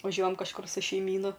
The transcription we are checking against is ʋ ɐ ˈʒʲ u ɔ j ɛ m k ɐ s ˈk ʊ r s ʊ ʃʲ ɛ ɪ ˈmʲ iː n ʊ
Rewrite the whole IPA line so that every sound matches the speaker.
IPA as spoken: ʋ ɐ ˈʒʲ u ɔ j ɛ m k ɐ ʃ ˈk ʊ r s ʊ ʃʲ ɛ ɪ ˈmʲ iː n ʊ